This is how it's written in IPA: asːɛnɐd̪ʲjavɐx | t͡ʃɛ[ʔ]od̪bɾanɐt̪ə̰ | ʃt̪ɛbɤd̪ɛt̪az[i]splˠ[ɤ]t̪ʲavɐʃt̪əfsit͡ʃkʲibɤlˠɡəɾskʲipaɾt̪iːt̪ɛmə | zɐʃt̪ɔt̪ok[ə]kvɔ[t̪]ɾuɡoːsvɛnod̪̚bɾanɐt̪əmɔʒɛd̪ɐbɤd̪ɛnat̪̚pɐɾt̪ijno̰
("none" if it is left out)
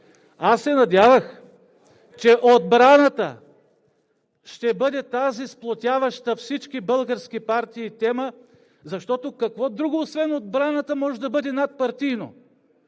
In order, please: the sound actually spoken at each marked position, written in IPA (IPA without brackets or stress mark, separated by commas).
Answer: ʔ, i, o, ɐ, d̪